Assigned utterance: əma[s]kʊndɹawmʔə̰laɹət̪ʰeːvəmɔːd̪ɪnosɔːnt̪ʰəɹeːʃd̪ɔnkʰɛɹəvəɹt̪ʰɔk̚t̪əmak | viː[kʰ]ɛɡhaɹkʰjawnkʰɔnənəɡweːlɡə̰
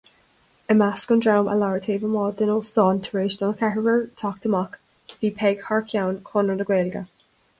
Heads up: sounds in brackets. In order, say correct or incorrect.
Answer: correct, incorrect: pʰ

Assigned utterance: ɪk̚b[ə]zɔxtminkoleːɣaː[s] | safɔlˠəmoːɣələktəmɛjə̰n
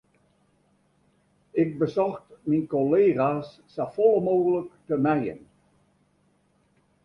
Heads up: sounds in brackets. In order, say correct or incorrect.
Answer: correct, correct

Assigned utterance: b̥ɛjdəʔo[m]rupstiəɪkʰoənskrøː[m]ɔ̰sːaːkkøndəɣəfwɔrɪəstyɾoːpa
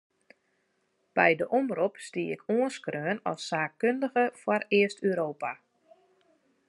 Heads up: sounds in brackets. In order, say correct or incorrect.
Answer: correct, incorrect: n

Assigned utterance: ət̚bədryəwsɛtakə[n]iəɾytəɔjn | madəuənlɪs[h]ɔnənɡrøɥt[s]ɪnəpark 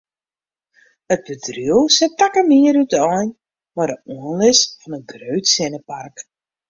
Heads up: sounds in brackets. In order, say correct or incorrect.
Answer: incorrect: m, incorrect: f, correct

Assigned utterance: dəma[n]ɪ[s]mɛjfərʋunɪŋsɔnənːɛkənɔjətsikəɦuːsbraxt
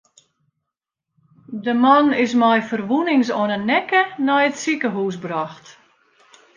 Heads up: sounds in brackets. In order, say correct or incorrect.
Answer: correct, correct

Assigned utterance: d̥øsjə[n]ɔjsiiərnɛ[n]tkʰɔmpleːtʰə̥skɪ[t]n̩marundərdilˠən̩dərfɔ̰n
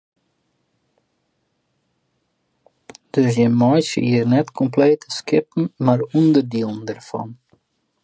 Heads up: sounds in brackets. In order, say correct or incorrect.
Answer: incorrect: m, incorrect: none, incorrect: p

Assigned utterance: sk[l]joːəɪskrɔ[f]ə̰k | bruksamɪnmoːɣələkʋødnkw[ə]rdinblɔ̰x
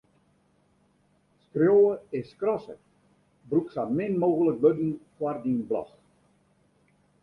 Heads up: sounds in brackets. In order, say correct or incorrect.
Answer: incorrect: r, incorrect: s, incorrect: a

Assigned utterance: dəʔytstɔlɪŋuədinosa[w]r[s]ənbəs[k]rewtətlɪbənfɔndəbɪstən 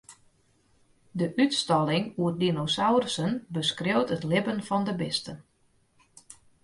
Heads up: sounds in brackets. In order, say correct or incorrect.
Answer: correct, correct, correct

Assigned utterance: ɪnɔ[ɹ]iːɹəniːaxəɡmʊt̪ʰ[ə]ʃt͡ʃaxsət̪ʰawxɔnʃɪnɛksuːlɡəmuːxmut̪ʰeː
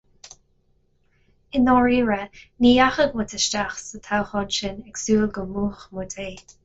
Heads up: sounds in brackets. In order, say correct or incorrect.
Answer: correct, correct

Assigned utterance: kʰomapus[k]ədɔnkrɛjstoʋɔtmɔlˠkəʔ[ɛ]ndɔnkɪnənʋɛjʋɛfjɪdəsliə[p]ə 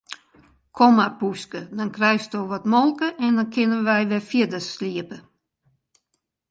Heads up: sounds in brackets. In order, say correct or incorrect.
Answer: correct, correct, correct

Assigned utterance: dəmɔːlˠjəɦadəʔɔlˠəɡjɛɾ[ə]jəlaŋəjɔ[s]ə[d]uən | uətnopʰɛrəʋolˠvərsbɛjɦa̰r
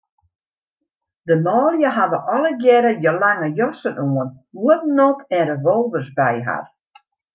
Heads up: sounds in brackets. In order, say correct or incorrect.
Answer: correct, correct, incorrect: n

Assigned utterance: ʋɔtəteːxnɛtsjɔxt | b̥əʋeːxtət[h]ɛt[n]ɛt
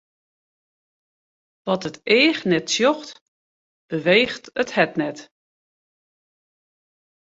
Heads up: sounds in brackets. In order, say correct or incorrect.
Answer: correct, correct

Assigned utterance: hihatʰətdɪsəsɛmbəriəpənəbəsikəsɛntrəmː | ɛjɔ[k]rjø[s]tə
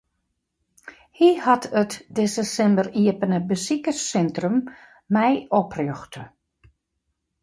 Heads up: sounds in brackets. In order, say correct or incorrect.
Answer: incorrect: p, incorrect: x

